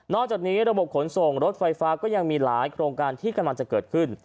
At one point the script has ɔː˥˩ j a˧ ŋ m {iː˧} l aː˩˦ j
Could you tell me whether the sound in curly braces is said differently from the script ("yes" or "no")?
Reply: no